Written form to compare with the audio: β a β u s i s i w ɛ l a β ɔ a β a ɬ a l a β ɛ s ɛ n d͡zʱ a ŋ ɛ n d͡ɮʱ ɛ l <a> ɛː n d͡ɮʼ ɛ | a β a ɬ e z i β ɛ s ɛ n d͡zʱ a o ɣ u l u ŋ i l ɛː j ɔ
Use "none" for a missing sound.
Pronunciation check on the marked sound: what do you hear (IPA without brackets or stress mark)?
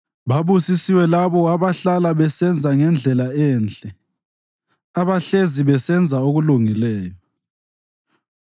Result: a